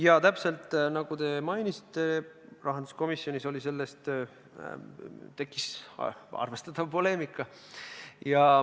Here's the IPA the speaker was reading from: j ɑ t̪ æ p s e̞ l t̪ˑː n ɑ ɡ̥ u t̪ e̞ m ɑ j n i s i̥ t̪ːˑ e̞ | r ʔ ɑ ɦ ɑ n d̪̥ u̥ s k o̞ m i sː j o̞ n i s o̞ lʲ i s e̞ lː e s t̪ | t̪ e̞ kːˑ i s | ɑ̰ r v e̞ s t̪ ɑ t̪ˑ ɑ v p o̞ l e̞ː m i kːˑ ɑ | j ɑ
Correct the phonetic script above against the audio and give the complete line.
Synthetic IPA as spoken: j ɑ t̪ æ p s e̞ l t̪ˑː n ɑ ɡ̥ u t̪ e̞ m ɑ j n i s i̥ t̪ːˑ e̞ | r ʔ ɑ ɦ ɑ n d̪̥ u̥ s k o̞ m i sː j o̞ n i s o̞ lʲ i s e̞ lː e s t̪ | t̪ e̞ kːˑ i s | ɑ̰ r v e̞ s t̪ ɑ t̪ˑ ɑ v p o̞ l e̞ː m i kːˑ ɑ | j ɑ